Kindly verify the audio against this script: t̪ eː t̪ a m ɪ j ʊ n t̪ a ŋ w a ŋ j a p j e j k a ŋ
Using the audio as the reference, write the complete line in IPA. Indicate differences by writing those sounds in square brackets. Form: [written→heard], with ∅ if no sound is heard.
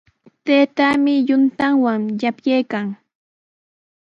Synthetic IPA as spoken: t̪ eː t̪ a m ɪ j ʊ n t̪ a ŋ w a ŋ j a p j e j k a ŋ